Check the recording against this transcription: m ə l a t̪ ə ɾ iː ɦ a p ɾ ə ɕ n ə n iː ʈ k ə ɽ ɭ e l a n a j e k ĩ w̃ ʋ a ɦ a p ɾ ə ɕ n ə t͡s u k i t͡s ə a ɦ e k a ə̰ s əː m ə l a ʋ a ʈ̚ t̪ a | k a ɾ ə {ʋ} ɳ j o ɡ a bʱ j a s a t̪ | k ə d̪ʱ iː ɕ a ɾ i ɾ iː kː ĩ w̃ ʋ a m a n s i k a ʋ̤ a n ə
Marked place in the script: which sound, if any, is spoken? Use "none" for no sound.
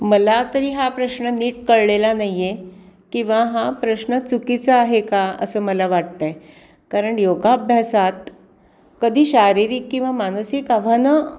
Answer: none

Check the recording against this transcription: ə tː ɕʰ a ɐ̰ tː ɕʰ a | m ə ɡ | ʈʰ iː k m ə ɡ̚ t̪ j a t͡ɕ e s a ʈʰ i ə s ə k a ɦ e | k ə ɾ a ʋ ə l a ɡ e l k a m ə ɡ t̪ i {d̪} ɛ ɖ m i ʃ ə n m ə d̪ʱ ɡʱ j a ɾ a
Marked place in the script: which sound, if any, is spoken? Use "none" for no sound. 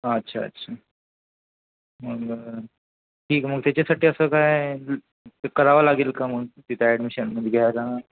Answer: t̪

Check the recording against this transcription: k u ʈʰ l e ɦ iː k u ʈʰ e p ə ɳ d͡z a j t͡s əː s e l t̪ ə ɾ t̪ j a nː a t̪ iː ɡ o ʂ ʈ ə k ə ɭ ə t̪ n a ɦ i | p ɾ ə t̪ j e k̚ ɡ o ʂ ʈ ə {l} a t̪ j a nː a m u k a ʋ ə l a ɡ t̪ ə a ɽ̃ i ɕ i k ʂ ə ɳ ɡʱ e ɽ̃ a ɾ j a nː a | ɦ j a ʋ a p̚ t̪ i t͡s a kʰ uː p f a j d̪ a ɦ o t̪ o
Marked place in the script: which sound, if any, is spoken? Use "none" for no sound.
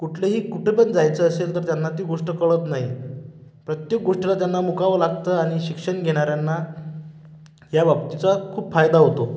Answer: l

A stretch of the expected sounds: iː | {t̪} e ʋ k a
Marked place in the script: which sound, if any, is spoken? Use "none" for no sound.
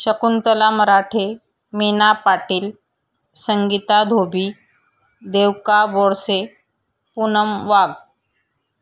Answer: d̪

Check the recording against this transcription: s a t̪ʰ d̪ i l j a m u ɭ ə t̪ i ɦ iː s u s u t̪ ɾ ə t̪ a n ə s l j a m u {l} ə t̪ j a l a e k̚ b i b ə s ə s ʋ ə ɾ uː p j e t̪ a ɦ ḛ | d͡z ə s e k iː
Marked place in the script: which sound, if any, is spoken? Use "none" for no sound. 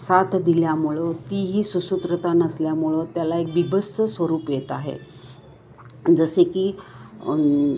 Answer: ɭ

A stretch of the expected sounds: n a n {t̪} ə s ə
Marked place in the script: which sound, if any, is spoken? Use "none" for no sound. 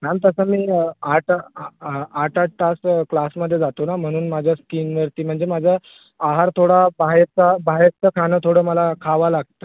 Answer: t̪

